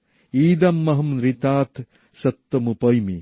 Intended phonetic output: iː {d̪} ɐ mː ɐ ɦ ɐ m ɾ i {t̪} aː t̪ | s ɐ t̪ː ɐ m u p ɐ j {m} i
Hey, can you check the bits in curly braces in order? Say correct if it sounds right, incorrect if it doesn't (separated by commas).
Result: correct, correct, correct